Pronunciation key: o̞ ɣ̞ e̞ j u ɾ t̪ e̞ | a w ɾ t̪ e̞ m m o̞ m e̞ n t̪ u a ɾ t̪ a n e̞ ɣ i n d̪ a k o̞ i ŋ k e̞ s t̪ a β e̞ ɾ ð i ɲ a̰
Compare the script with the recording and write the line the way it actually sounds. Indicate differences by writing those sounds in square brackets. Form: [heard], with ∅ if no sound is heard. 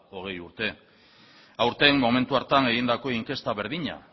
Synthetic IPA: o̞ ɣ̞ e̞ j u ɾ t̪ e̞ | a w ɾ t̪ e̞ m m o̞ m e̞ n t̪ u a ɾ t̪ a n e̞ ɣ i n d̪ a k o̞ i ŋ k e̞ s t̪ a β e̞ ɾ ð i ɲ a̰

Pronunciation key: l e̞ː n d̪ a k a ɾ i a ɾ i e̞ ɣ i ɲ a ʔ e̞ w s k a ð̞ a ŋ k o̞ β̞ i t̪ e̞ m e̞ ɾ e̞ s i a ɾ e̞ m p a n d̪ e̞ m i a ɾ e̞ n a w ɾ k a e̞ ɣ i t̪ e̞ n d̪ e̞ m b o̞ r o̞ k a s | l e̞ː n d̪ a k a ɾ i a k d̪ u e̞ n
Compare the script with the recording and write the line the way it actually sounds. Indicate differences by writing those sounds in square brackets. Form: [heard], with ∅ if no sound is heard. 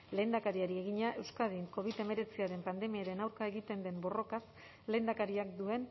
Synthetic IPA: l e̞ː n d̪ a k a ɾ i a ɾ i e̞ ɣ i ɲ a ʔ e̞ w s k a ð̞ [i] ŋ k o̞ β̞ i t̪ e̞ m e̞ ɾ e̞ [t͡s] i a ɾ e̞ m p a n d̪ e̞ m i a ɾ e̞ n a w ɾ k a e̞ ɣ i t̪ e̞ n d̪ e̞ m b o̞ r o̞ k a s | l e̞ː n d̪ a k a ɾ i a k d̪ u e̞ n

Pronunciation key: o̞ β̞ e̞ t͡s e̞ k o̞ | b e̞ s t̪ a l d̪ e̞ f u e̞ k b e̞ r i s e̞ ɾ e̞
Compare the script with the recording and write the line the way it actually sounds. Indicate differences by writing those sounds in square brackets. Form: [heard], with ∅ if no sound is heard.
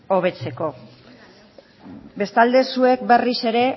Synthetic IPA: o̞ β̞ e̞ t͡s e̞ k o̞ | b e̞ s t̪ a l d̪ e̞ [s] u e̞ k b e̞ r i s e̞ ɾ e̞

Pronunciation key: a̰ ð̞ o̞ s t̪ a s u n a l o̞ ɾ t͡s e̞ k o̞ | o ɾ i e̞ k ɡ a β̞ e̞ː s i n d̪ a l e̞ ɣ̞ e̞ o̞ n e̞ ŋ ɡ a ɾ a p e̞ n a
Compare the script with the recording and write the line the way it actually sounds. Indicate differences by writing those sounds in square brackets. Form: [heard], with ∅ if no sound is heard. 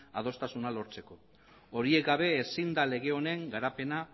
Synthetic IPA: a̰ ð̞ o̞ s t̪ a s u n a l o̞ ɾ t͡s e̞ k o̞ | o ɾ i e̞ k ɡ a β̞ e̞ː s i n d̪ a l e̞ ɣ̞ e̞ o̞ n e̞ ŋ ɡ a ɾ a p e̞ n a

